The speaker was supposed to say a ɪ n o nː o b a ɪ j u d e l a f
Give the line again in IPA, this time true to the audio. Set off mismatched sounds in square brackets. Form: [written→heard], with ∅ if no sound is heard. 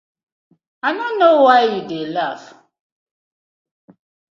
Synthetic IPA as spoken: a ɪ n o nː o [b→w] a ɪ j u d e l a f

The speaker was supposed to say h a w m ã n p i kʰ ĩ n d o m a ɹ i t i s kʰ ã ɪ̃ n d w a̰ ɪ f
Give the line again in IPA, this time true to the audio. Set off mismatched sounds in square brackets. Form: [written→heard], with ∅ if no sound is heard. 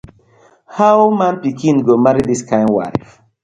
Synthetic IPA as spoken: h a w m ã n p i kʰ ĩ n [d→ɡ] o m a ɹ i [t→d] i s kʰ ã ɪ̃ n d w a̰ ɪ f

